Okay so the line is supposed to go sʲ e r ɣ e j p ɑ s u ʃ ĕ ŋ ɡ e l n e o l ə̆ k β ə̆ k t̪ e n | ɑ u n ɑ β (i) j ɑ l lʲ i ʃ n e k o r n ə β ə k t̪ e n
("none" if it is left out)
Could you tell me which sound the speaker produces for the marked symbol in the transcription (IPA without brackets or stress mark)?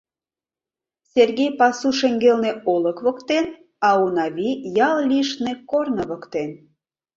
i